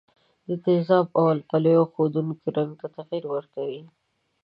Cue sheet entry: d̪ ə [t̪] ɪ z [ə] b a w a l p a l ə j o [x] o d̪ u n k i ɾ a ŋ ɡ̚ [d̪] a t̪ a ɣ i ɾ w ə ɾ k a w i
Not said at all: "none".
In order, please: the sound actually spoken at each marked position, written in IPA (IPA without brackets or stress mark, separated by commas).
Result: t̪, ɑ, x, t̪